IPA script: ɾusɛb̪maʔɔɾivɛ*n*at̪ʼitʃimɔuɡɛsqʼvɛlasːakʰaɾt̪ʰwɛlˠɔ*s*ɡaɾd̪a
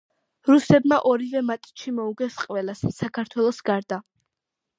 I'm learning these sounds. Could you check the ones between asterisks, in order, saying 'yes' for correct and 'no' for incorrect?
no, yes

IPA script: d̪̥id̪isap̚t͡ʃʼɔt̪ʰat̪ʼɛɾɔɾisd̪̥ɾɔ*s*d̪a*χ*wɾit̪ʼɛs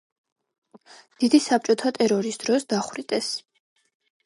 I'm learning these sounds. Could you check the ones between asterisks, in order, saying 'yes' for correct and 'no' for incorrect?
yes, yes

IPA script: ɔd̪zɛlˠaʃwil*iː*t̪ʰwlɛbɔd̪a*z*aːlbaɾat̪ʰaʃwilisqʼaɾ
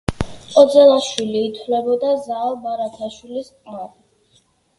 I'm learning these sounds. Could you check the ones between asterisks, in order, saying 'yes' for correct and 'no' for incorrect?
yes, yes

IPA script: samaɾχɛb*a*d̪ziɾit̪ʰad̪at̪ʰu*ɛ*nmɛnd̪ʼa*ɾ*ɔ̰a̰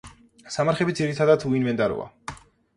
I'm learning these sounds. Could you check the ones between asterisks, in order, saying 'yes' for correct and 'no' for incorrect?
no, no, yes

